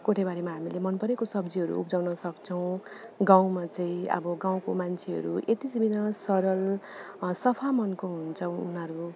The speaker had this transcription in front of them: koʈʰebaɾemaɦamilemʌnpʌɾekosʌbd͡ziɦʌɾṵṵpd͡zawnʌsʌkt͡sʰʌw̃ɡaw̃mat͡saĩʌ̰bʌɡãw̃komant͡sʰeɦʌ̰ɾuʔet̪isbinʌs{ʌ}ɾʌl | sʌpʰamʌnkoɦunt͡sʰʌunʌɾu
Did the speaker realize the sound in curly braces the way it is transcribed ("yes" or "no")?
yes